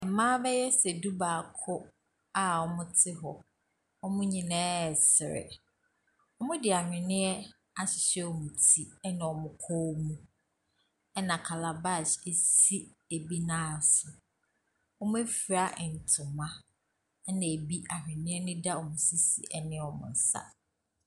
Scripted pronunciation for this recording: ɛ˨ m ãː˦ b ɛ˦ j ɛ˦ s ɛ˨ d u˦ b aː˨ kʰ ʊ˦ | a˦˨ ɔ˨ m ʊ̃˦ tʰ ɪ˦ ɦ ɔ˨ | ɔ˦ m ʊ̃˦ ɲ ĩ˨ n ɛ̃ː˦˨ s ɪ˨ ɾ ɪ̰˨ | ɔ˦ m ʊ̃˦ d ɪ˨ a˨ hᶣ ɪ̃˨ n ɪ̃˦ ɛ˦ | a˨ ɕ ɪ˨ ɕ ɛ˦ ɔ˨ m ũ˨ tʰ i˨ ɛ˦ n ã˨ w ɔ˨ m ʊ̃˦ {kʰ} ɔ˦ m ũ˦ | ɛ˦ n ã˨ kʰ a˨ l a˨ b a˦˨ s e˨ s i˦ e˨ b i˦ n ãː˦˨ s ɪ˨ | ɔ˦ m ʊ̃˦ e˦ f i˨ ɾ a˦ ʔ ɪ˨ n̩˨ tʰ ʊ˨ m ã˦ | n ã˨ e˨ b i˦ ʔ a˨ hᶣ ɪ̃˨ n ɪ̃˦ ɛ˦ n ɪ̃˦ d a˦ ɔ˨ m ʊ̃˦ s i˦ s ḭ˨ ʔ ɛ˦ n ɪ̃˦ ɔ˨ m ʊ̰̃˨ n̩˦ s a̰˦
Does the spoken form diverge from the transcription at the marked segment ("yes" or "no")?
no